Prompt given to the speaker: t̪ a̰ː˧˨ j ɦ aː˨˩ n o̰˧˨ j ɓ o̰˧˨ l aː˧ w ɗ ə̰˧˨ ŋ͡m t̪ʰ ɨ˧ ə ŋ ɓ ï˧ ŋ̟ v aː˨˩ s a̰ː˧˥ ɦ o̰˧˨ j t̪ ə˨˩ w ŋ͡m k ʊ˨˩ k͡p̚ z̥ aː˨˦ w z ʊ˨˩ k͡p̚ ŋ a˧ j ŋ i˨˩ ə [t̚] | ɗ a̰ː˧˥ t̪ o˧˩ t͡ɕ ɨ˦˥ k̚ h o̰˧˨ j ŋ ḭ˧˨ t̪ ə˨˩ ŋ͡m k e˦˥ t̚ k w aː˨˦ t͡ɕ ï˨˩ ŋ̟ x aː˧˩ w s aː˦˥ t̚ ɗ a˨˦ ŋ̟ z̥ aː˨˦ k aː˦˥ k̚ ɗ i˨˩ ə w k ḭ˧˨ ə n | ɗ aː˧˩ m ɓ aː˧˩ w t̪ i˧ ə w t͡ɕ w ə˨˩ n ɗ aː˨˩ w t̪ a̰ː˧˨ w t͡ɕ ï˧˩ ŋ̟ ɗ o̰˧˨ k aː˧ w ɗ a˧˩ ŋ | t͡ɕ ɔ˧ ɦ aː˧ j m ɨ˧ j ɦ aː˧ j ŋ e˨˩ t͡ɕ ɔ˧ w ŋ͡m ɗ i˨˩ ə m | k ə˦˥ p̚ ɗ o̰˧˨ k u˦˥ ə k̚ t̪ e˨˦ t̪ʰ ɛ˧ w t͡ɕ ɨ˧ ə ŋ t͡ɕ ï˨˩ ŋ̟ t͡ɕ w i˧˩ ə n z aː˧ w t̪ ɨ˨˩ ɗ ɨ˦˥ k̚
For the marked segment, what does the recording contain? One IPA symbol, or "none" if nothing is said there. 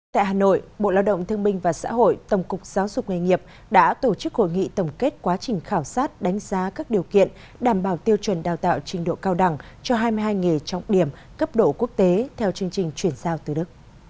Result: p̚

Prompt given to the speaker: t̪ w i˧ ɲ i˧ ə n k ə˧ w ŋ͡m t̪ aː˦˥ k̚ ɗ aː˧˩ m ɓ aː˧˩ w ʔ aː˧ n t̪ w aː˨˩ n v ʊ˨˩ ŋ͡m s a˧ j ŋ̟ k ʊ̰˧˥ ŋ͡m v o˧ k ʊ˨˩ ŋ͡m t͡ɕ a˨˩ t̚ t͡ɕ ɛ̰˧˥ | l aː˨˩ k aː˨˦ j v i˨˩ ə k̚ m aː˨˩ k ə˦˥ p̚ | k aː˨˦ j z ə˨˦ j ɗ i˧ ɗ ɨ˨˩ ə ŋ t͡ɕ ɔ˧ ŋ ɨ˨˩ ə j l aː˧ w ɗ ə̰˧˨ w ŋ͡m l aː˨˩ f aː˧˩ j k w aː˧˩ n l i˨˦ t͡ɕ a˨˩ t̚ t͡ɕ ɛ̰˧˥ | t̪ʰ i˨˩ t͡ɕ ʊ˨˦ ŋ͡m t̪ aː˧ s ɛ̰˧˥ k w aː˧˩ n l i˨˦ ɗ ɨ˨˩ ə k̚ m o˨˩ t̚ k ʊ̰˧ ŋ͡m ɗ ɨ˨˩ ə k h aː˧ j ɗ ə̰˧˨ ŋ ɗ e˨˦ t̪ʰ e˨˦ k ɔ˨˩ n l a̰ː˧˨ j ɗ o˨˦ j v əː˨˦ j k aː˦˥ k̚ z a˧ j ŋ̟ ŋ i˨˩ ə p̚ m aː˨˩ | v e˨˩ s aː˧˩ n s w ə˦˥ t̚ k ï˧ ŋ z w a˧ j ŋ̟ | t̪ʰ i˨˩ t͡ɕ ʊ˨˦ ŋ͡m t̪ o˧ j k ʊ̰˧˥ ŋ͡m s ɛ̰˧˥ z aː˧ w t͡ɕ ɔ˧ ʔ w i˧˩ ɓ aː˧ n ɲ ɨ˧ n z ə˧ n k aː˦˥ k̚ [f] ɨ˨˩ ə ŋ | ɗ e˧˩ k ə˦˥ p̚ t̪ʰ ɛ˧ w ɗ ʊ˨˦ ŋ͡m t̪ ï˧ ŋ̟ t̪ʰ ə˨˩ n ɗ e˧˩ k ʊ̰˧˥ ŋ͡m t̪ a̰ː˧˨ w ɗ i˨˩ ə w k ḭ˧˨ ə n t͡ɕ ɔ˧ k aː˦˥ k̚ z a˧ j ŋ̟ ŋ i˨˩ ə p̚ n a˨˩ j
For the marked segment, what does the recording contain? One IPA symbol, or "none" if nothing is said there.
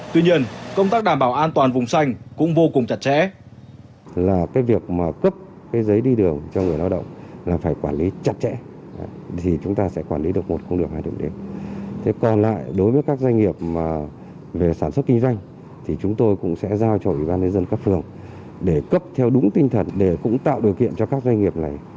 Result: f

